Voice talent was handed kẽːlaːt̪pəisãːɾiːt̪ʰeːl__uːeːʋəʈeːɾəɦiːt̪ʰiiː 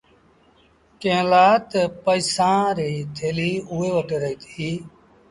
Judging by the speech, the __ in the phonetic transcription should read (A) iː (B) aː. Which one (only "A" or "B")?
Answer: A